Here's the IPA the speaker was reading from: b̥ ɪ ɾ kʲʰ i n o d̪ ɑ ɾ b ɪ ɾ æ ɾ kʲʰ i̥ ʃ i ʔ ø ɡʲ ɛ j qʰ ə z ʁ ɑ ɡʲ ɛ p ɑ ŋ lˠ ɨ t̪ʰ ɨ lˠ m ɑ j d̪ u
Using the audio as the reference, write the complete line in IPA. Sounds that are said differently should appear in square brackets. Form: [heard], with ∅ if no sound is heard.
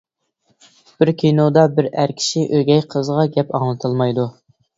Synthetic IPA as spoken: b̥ ɪ ɾ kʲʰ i n o d̪ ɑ [∅] b ɪ ɾ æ ɾ kʲʰ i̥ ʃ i ʔ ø ɡʲ ɛ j qʰ ə z ʁ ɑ ɡʲ ɛ p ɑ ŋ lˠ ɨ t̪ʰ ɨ lˠ m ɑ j d̪ u